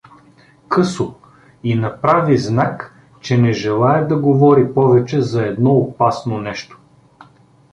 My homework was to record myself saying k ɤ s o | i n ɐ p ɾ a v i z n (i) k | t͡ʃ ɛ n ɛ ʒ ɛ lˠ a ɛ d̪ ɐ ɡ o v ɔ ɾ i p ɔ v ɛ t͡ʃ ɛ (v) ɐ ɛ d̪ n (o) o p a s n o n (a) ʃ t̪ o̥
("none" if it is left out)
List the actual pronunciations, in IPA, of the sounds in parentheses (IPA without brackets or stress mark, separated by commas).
a, z, ɔ, ɛ